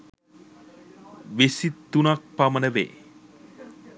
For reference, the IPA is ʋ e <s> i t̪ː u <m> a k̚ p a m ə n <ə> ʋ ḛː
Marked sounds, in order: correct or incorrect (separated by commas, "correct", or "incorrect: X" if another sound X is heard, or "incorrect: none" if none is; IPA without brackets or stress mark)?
correct, incorrect: n, correct